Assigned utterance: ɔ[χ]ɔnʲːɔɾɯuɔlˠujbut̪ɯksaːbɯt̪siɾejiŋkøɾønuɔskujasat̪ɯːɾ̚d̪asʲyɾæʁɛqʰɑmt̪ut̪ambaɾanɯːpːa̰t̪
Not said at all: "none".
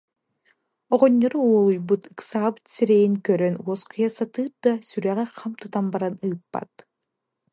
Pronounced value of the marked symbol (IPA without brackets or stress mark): ʁ